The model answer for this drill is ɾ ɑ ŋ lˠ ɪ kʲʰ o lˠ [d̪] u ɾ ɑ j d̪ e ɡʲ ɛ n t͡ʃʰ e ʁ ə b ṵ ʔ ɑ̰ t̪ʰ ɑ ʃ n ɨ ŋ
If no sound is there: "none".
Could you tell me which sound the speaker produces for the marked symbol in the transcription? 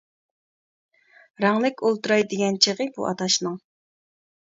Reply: t̪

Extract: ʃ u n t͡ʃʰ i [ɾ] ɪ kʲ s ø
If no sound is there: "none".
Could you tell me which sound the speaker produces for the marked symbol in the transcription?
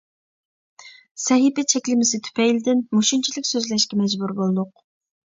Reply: l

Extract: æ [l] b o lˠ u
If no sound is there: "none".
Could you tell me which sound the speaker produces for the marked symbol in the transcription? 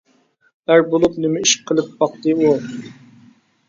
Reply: ɾ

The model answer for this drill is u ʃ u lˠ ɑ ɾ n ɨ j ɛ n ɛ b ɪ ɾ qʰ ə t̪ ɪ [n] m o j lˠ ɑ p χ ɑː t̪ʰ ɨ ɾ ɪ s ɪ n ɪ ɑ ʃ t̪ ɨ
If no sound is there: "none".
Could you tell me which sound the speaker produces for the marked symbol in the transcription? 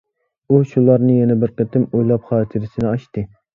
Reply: none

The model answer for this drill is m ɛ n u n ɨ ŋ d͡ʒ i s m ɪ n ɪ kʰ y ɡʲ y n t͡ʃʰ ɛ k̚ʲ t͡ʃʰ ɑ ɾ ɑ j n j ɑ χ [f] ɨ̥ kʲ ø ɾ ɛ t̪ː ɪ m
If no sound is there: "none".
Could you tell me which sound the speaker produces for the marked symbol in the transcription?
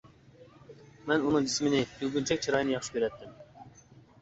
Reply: ʃ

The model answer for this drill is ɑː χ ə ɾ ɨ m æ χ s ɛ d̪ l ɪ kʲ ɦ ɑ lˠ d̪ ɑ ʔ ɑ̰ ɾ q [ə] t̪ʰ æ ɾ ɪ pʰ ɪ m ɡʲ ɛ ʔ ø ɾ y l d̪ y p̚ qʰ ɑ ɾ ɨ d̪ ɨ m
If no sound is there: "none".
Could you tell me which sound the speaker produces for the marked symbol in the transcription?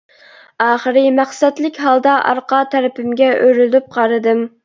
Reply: ɑ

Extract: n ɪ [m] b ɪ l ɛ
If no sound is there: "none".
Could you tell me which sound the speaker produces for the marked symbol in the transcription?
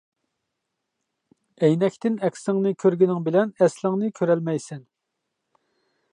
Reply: ŋ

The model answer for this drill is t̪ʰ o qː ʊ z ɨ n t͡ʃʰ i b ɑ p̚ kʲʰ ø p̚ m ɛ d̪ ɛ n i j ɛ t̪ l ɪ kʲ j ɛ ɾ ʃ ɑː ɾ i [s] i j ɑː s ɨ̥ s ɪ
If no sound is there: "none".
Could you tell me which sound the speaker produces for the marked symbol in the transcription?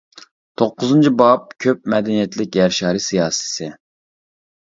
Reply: s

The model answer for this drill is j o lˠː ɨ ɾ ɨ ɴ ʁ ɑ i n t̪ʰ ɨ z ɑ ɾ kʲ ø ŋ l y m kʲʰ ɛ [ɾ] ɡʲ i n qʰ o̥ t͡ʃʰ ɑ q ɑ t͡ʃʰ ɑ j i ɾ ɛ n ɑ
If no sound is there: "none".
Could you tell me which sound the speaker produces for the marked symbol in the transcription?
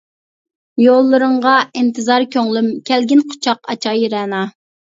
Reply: l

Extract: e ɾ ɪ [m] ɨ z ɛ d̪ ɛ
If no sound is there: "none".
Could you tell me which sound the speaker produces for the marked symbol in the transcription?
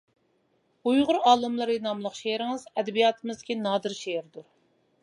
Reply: ŋ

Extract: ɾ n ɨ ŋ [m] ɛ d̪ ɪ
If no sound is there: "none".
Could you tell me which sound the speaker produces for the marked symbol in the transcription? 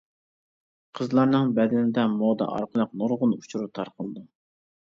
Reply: b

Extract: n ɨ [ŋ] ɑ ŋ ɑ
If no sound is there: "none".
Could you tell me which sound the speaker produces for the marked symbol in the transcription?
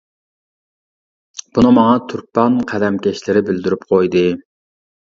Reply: m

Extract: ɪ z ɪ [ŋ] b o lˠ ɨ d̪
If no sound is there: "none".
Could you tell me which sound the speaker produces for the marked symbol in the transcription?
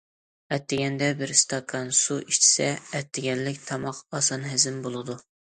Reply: m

